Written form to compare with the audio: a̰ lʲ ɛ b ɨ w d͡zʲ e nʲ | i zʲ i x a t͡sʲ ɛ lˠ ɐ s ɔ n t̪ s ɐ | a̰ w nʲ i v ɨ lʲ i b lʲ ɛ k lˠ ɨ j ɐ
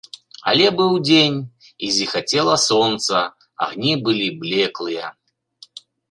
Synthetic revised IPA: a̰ lʲ ɛ b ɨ w d͡zʲ e nʲ | i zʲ i x a t͡sʲ ɛ lˠ ɐ s ɔ n t̪ s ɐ | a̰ ɣ nʲ i b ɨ lʲ i b lʲ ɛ k lˠ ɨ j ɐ